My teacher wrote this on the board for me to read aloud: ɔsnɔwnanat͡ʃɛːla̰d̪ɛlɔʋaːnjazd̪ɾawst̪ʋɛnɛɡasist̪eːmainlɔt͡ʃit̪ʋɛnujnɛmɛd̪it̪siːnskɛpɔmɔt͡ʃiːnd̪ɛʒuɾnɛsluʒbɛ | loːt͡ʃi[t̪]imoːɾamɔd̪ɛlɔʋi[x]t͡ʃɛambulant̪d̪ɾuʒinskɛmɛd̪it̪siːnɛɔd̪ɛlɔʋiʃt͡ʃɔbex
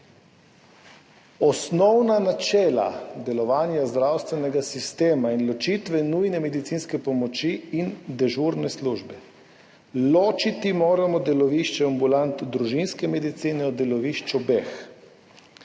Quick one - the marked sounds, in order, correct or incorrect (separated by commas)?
correct, incorrect